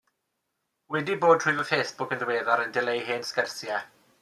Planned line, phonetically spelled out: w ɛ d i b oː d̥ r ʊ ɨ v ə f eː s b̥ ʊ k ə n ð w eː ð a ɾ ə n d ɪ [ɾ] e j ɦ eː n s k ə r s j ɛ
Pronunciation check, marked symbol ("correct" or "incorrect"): incorrect